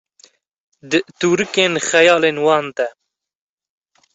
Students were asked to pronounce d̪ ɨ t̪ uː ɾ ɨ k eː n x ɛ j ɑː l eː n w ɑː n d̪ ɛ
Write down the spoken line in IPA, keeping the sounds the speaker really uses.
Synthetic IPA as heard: d̪ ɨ t̪ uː ɾ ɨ k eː n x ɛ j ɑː l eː n w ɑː n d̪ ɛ